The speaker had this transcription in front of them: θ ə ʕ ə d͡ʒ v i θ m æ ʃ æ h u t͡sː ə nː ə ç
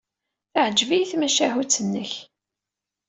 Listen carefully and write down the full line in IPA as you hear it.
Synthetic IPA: θ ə ʕ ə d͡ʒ v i θ m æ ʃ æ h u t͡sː ə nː ə ç